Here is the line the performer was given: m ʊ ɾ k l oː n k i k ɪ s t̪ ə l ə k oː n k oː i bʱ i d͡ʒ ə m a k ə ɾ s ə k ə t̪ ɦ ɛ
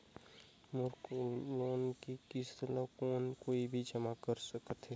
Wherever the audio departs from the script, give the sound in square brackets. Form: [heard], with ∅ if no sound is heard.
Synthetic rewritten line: m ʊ ɾ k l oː n k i k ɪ s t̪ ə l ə k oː n k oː i bʱ i d͡ʒ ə m a k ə ɾ s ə k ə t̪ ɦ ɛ